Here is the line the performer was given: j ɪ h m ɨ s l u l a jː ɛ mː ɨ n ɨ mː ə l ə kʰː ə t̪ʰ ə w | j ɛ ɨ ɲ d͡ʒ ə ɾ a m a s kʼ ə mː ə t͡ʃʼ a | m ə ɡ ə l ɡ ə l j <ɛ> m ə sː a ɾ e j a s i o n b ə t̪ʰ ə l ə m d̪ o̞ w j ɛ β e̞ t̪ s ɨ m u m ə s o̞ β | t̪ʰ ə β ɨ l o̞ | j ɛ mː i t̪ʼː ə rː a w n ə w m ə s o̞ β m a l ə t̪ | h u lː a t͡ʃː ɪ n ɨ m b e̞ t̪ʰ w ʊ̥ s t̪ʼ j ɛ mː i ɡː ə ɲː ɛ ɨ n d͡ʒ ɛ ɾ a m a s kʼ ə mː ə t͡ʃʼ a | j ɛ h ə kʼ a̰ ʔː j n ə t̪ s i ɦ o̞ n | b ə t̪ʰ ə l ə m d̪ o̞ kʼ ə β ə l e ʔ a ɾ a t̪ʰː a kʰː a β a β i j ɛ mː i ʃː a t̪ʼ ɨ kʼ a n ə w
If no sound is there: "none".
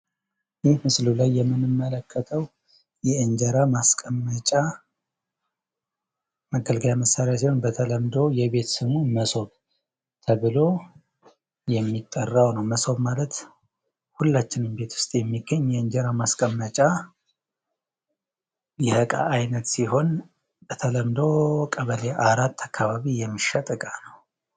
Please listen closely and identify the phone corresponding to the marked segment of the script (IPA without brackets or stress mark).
a